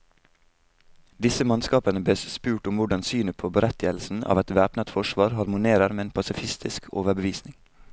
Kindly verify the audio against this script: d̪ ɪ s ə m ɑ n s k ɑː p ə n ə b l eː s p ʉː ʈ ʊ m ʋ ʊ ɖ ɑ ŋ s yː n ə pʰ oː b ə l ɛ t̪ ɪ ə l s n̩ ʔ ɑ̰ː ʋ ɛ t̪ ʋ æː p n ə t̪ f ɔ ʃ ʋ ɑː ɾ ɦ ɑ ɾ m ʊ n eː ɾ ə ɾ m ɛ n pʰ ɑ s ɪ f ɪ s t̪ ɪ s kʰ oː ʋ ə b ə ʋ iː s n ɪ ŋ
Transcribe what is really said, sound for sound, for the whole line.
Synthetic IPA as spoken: d̪ ɪ s ə m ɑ n s k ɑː p ə n ə b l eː s p ʉː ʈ ʊ m ʋ ʊ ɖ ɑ n s yː n ə pʰ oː b ə ɾ ɛ t̪ ɪ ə l s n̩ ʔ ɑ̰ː ʋ ɛ t̪ ʋ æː p n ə t̪ f ɔ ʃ ʋ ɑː ɾ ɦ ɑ ɾ m ʊ n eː ɾ ə ɾ m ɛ n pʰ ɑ s ɪ f ɪ s t̪ ɪ s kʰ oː ʋ ə b ə ʋ iː s n ɪ ŋ

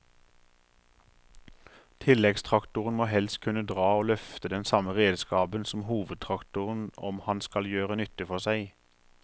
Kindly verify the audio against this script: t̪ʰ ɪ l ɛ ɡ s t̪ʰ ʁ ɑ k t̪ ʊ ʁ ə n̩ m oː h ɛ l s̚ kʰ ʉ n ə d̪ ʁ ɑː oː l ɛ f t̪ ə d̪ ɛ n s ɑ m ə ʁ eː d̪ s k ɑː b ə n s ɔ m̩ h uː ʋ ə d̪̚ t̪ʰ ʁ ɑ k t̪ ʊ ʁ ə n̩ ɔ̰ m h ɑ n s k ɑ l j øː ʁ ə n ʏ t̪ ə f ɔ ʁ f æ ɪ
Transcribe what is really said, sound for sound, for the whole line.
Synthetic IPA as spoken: t̪ʰ ɪ l ɛ ɡ s t̪ʰ ʁ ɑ k t̪ ʊ ʁ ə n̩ m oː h ɛ l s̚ kʰ ʉ n ə d̪ ʁ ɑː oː l œ f t̪ ə d̪ ɛ n s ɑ m ə ʁ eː d̪ s k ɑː b ə n s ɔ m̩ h uː ʋ ə d̪̚ t̪ʰ ʁ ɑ k t̪ ʊ ʁ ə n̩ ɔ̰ m h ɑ n s k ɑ l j øː ʁ ə n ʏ t̪ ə f ɔ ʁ s æ ɪ

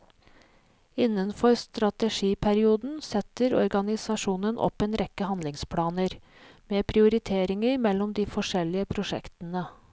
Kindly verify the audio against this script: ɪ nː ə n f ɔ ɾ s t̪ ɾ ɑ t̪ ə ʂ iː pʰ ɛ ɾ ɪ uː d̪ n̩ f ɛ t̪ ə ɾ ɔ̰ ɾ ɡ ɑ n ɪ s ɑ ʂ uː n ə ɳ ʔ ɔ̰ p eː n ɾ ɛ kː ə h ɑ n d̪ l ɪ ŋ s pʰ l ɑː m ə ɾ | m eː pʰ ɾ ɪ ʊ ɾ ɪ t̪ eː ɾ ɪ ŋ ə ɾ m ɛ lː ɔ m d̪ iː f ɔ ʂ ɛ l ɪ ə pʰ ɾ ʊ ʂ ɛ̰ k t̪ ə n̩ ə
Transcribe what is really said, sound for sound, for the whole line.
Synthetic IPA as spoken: ɪ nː ə n f ɔ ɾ s t̪ ɾ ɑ t̪ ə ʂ iː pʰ æ ɾ ɪ uː d̪ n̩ s ɛ t̪ ə ɾ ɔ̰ ɾ ɡ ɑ n ɪ s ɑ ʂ uː n ə n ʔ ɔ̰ p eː n ɾ ɛ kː ə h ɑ n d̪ l ɪ ŋ s pʰ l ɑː n ə ɾ | m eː pʰ ɾ ɪ ʊ ɾ ɪ t̪ʰ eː ɾ ɪ ŋ ə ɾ m ɛ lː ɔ m d̪ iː f ɔ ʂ ɛ l ɪ ə pʰ ɾ ʊ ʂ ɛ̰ k t̪ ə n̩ ə

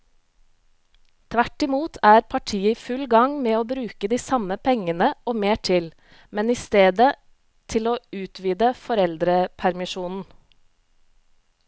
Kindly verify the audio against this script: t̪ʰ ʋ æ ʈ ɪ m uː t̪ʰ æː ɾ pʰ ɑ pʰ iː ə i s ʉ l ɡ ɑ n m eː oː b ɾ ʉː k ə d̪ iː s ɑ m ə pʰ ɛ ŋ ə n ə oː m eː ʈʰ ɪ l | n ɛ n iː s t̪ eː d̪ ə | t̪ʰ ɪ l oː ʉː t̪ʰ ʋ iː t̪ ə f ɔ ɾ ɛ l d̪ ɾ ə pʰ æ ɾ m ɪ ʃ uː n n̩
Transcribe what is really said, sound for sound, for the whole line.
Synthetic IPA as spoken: t̪ʰ ʋ æ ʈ ɪ m uː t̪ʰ æː ɾ pʰ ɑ ʈʰ iː ə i f ʉ l ɡ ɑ ŋ m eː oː b ɾ ʉː k ə d̪ iː s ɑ m ə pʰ ɛ ŋ ə n ə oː m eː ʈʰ ɪ l | m ɛ n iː s t̪ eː d̪ ə | t̪ʰ ɪ l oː ʉː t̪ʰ ʋ iː d̪ ə f ɔ ɾ ɛ l d̪ ɾ ə pʰ æ ɾ m ɪ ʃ uː n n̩

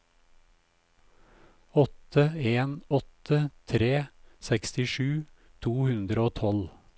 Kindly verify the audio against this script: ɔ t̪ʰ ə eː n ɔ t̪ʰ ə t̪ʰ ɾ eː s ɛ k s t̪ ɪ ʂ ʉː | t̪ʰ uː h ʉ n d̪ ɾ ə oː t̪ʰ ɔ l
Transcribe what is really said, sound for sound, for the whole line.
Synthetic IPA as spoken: ɔ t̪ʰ ə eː n ɔ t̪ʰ ə t̪ʰ ɾ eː s ɛ k s t̪ ɪ ʃ ʉː | t̪ʰ uː h ʉ n d̪ ɾ ə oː t̪ʰ ɔ l

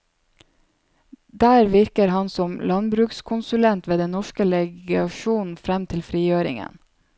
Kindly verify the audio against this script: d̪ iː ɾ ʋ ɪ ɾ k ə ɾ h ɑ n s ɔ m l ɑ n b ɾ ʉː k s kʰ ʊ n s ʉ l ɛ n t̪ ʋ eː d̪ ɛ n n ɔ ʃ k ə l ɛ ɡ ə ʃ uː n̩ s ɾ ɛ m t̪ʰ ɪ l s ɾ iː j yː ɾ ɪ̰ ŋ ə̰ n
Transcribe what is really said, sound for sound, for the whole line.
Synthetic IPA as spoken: d̪ æː ɾ ʋ ɪ ɾ k ə ɾ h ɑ n s ɔ m l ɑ n b ɾ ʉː k s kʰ ʊ n s ʉ l ɛ n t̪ ʋ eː d̪ ɛ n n ɔ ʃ k ə l ɛ ɡ ɑ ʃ uː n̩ f ɾ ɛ m t̪ʰ ɪ l f ɾ iː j øː ɾ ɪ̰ ŋ ə̰ n

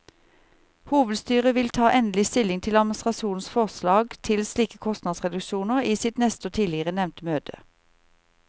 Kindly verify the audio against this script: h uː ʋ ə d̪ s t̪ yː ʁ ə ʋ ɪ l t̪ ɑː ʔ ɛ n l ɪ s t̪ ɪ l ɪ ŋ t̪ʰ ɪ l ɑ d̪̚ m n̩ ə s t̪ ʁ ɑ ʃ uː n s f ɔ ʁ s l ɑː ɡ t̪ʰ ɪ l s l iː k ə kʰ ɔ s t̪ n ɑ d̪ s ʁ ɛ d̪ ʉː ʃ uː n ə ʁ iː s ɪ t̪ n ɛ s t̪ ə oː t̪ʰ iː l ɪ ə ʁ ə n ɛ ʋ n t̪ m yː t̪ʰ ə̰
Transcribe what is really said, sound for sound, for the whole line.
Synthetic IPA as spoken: h uː ʋ ə d̪ s t̪ yː ʁ ə ʋ ɪ l t̪ʰ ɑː ʔ ɛ n l ɪ s t̪ ɪ l ɪ ŋ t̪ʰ ɪ l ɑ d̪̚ m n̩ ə s t̪ ʁ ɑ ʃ uː n s f ɔ ʁ s l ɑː ɡ t̪ʰ ɪ l s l iː k ə kʰ ɔ s t̪ n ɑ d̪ s ʁ ɛ d̪ ʉ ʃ uː n ə ʁ iː s ɪ t̪ n ɛ s t̪ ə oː t̪ʰ iː l ɪ ə ʁ ə n ɛ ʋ n t̪ m øː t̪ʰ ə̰

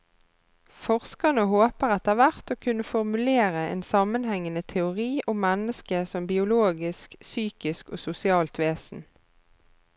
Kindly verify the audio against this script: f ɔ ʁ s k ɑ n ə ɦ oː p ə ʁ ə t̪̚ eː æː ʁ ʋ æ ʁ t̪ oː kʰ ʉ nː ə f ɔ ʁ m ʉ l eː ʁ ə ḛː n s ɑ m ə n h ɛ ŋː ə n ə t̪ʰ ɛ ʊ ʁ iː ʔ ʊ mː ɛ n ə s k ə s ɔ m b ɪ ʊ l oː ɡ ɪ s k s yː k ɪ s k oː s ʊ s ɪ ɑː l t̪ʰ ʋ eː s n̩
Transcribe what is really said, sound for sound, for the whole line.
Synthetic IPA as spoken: f ɔ ʁ s k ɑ n ə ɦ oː p ə ʁ ɑ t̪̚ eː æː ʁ ʋ æ ʁ t̪ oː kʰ ʉ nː ə f ɔ ʁ m ʉ l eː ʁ ə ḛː n s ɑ m ə n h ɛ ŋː ə n ə t̪ʰ ɛ ʊ ʁ iː ʔ ʊ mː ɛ n ə s k ə s ɔ m b ɪ ʊ l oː ɡ ɪ s k s yː k ɪ s k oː s ʊ s ɪ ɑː l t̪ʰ ʋ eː s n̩

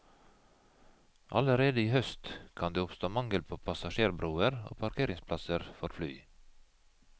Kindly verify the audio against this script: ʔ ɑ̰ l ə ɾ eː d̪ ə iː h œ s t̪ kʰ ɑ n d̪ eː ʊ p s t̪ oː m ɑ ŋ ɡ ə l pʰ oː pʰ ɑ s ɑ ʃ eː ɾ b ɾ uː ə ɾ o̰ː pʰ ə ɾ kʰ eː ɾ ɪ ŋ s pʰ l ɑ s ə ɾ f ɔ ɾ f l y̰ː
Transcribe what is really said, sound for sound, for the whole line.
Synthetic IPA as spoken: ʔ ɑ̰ l ə ɾ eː d̪ ə iː h œ s t̪ kʰ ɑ n d̪ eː ʊ p s t̪ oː m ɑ ŋ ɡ ə l pʰ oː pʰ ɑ s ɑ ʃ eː ɾ b ɾ uː ə ɾ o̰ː pʰ ɑ ɾ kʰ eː ɾ ɪ ŋ s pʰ l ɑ s ə ɾ f ɔ ɾ f l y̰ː

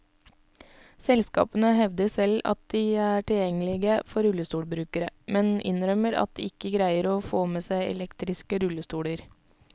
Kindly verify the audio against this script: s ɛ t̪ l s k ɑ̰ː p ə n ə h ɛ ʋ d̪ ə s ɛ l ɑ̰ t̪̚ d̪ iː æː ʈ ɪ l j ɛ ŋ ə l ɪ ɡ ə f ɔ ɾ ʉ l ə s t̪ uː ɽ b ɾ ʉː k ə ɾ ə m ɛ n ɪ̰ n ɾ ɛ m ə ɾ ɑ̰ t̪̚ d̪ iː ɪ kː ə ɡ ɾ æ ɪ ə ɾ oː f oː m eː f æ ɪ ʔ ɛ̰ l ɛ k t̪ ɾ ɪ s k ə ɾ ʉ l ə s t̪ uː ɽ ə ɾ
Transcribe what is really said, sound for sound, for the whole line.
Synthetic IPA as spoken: s ɛ l s k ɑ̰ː p ə n ə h ɛ ʋ d̪ ə s ɛ l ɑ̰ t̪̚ d̪ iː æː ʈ ɪ l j ɛ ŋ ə l ɪ ɡ ə f ɔ ɾ ʉ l ə s t̪ uː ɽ b ɾ ʉː k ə ɾ ə m ɛ n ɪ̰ n ɾ œ m ə ɾ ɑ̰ t̪̚ d̪ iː ɪ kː ə ɡ ɾ æ ɪ ə ɾ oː f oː m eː s æ ɪ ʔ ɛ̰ l ɛ k t̪ ɾ ɪ s k ə ɾ ʉ l ə s t̪ uː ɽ ə ɾ

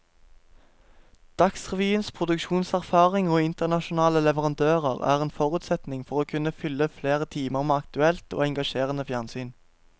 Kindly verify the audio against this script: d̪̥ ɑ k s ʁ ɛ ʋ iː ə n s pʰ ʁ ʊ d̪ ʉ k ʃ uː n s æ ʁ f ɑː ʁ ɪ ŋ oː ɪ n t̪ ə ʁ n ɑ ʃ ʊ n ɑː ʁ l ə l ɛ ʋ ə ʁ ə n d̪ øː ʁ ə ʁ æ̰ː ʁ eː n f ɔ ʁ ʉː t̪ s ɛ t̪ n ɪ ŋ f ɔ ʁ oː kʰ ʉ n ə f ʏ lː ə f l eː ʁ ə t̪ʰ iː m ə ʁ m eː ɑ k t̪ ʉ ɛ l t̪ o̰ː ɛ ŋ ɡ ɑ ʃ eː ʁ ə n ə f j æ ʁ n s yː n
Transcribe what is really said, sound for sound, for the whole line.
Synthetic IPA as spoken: d̪̥ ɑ k s ʁ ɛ ʋ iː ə n s pʰ ʁ ʊ d̪ ʉ k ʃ uː n s æ ʁ f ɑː ʁ ɪ ŋ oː ɪ n t̪ ə ʁ n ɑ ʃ ʊ n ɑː l ə l ɛ ʋ ə ʁ ɑ n d̪ øː ʁ ə ʁ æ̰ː ʁ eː n f ɔ ʁ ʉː t̪ s ɛ t̪ n ɪ ŋ f ɔ ʁ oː kʰ ʉ n ə f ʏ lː ə f l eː ʁ ə t̪ʰ iː m ə ʁ m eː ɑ k t̪ ʉ ɛ l t̪ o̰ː ɛ ŋ ɡ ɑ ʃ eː ʁ ə n ə f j æ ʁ n s yː n

